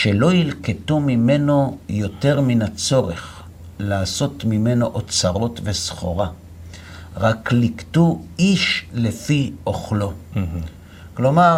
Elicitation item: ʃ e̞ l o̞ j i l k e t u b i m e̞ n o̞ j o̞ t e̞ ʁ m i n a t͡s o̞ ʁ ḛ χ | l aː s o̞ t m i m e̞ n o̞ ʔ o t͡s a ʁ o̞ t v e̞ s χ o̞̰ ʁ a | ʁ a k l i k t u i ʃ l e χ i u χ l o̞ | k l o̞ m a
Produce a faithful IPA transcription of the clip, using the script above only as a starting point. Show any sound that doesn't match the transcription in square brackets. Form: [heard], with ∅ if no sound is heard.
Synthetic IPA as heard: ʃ e̞ l o̞ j i l k e t u [m] i m e̞ n o̞ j o̞ t e̞ ʁ m i n a t͡s o̞ ʁ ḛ χ | l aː s o̞ t m i m e̞ n o̞ ʔ o t͡s a ʁ o̞ t v e̞ s χ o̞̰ ʁ a | ʁ a k l i k t u i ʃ l e [f] i [o] χ l o̞ | k l o̞ m a